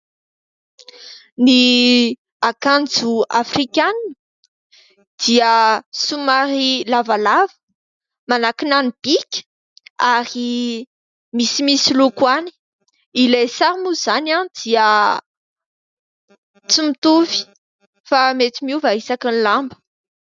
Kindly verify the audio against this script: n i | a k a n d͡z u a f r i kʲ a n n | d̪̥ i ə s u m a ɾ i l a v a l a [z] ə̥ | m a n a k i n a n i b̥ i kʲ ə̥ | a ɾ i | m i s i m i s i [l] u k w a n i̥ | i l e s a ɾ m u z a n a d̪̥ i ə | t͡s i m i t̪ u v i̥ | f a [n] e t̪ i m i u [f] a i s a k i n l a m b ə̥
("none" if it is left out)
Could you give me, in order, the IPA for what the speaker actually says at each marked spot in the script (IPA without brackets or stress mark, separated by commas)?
v, l, m, v